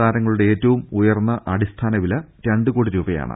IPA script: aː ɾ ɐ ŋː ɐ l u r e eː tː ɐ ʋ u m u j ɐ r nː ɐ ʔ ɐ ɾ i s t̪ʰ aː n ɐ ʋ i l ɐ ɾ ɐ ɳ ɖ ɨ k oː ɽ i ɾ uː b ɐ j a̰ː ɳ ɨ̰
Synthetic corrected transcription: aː ɾ ɐ ŋː ɐ ɭ u ɽ e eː tː ɐ ʋ u m u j ɐ r nː ɐ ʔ ɐ ɽ i s t̪ʰ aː n ɐ ʋ i l ɐ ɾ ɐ ɳ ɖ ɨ k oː ɽ i ɾ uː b ɐ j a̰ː ɳ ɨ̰

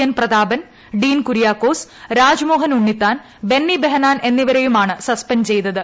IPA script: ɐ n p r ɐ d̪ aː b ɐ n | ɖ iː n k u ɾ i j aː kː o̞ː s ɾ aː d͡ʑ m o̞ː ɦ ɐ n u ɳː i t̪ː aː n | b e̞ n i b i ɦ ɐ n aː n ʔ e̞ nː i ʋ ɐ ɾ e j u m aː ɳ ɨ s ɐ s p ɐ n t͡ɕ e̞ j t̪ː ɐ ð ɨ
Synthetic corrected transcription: ɐ n p r ɐ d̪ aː b ɐ n | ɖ iː n k u ɾ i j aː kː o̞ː s ɾ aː d͡ʑ m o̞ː ɦ ɐ n u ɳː i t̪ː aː n | b e̞ nː i b e ɦ ɐ n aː n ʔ e̞ nː i ʋ ɐ ɾ e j u m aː ɳ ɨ s ɐ s p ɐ n t͡ɕ e̞ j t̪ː ɐ ð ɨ

